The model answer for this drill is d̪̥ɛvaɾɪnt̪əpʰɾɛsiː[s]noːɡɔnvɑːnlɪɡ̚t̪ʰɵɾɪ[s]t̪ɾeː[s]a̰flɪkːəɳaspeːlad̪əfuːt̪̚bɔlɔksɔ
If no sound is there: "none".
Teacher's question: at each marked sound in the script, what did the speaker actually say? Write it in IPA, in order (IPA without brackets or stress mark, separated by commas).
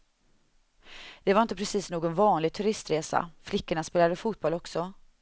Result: s, s, s